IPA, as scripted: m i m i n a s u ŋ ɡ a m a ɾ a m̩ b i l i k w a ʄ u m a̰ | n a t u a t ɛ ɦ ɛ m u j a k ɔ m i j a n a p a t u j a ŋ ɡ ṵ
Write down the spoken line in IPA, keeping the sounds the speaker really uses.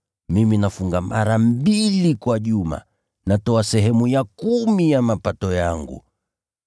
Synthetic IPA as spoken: m i m i n a f u ŋ ɡ a m a ɾ a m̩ b i l i k w a ʄ u m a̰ | n a t ɔ a s ɛ ɦ ɛ m u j a k u m i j a m a p a t ɔ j a ŋ ɡ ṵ

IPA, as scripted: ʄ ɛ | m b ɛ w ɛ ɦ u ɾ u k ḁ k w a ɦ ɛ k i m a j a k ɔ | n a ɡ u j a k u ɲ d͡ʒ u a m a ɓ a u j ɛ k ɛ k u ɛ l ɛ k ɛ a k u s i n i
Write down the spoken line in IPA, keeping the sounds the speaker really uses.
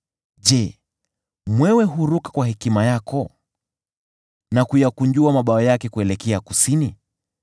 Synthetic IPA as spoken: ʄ ɛ | m w ɛ w ɛ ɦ u ɾ u k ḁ k w a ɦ ɛ k i m a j a k ɔ | n a k u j a k u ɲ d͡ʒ u a m a ɓ a ɔ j a k ɛ k u ɛ l ɛ k ɛ a k u s i n i

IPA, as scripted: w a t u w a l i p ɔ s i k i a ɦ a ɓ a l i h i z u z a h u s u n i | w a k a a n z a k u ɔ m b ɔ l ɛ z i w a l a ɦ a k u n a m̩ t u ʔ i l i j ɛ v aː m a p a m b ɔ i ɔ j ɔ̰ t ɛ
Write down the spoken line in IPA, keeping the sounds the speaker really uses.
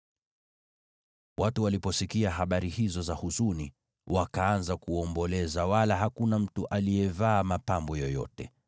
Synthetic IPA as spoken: w a t u w a l i p ɔ s i k i a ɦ a ɓ a ɾ i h i z ɔ z a h u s u n i | w a k a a n z a k u ɔ m b ɔ l ɛ z a w a l a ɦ a k u n a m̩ t u ʔ a l i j ɛ v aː m a p a m b ɔ j ɔ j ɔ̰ t ɛ

